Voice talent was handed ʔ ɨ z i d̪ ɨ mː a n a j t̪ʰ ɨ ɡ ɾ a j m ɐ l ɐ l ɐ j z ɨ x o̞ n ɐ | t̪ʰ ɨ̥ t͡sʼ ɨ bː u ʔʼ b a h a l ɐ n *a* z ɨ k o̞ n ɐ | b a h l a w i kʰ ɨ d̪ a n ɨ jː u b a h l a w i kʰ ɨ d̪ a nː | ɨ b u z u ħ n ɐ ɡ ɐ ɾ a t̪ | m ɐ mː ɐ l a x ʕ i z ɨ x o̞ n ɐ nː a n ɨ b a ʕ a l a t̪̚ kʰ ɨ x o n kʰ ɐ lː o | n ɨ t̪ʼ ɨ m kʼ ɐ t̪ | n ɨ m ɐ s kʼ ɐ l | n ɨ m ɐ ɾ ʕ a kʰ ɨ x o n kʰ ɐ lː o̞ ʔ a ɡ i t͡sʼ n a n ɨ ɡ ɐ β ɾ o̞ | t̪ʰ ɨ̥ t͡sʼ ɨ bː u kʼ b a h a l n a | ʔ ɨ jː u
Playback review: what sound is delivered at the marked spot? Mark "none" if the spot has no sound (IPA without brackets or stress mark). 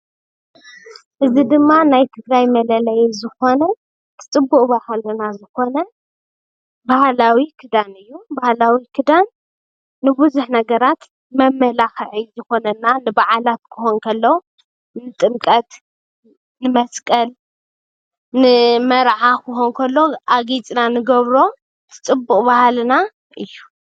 a